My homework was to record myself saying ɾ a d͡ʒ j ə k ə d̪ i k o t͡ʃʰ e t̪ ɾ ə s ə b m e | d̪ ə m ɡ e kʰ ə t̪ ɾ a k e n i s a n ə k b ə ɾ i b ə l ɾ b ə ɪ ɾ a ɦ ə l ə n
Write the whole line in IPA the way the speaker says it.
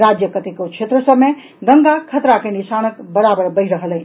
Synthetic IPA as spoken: ɾ a d͡ʒ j ə k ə t̪ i k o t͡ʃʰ e t̪ ɾ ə s ə b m e | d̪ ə ŋ ɡ a kʰ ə t̪ ɾ a k e n i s a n ə k b ə ɾ a b ə ɾ b ə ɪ ɾ ə ɦ ə l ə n